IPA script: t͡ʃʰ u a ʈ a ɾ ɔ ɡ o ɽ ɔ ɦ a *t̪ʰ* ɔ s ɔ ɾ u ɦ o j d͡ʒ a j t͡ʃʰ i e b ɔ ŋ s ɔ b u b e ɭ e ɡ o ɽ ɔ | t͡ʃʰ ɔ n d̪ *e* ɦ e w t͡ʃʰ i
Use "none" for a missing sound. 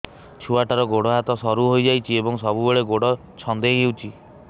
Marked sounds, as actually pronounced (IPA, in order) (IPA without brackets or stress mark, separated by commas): t̪, e